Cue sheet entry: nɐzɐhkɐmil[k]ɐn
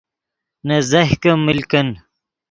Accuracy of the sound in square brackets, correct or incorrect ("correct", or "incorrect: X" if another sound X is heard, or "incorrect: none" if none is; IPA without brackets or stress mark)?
correct